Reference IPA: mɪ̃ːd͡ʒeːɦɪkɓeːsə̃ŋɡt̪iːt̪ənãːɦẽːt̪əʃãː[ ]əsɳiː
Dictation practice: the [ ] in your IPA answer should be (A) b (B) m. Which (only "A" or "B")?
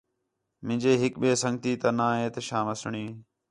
B